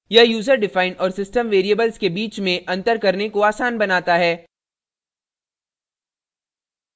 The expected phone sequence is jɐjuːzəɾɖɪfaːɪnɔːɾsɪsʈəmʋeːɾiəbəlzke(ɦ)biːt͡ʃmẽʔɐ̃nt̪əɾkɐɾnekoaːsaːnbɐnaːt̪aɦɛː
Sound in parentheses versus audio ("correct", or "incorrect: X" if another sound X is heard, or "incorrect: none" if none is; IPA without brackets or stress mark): incorrect: none